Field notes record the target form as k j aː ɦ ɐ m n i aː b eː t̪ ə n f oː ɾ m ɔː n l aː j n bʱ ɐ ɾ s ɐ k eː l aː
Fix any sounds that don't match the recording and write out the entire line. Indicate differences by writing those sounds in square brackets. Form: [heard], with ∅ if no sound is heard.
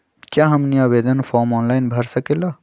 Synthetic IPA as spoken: k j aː ɦ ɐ m n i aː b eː [d̪] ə n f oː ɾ m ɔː n l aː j n bʱ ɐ ɾ s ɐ k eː l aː